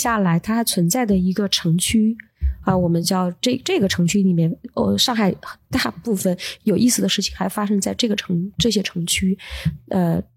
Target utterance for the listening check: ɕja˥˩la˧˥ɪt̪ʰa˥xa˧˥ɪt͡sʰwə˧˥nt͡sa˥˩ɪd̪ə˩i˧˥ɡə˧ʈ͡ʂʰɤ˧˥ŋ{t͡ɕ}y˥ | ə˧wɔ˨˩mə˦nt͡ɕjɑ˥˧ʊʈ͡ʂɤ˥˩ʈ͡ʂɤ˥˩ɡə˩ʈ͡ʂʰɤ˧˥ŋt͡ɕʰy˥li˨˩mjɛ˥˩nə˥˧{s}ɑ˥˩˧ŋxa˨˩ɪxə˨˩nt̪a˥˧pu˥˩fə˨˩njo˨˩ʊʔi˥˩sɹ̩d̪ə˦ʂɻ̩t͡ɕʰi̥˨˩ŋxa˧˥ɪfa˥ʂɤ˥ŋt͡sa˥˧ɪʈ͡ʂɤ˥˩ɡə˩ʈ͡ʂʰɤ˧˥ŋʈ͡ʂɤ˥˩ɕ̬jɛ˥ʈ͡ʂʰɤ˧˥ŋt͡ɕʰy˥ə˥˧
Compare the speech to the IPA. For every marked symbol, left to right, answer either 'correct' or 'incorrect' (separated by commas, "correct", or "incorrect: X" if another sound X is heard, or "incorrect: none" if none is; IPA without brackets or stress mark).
incorrect: t͡ɕʰ, incorrect: ʂ